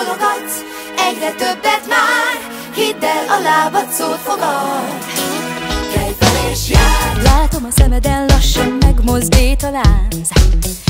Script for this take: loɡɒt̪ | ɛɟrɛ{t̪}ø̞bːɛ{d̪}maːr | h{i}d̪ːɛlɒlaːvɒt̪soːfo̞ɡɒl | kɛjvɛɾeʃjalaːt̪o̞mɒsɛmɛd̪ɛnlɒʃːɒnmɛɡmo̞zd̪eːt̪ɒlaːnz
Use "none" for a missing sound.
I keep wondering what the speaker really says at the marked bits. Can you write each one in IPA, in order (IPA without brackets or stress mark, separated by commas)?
t̪, t̪, i